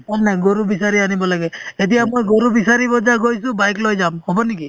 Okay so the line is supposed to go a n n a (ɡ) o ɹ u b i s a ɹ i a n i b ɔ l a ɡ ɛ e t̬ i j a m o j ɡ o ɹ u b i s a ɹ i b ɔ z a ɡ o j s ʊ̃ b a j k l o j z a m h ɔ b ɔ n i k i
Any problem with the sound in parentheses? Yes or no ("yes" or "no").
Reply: no